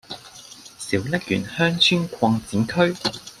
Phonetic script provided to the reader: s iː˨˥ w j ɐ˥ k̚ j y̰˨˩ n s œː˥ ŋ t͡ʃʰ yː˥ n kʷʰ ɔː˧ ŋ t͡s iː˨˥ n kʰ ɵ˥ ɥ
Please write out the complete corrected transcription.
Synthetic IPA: s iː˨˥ w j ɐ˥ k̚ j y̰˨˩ n h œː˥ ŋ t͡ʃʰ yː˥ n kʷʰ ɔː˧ ŋ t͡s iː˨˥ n kʰ ɵ˥ ɥ